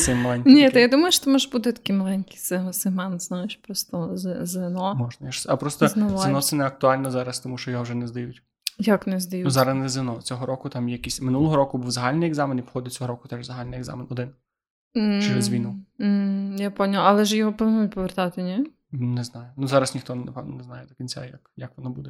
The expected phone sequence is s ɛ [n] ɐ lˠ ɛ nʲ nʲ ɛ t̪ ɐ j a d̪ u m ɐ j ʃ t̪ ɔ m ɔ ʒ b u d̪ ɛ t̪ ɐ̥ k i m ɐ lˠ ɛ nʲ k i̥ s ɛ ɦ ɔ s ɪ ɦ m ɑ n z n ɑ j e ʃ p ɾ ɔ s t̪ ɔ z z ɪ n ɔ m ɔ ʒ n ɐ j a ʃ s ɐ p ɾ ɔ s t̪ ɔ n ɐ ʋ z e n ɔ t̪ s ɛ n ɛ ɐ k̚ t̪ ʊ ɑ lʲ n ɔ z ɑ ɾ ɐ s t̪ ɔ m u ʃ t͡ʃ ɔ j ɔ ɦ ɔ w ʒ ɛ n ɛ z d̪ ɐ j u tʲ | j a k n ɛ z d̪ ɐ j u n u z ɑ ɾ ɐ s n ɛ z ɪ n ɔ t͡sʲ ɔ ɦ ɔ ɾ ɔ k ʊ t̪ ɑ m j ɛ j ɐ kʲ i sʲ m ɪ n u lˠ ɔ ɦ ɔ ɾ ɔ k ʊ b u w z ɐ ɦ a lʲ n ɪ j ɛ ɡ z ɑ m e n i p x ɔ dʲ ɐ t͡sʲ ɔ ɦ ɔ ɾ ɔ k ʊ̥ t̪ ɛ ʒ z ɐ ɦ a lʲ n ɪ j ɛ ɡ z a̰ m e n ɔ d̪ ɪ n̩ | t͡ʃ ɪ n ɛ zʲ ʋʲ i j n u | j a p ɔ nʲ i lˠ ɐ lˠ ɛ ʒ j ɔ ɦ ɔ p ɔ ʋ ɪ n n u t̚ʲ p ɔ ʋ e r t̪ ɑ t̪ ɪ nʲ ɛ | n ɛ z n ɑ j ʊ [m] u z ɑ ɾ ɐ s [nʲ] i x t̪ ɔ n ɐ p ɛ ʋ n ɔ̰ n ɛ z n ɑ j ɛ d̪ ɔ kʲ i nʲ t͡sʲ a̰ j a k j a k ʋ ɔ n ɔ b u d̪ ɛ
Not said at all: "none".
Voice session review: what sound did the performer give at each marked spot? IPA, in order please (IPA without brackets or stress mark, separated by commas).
m, n, nʲ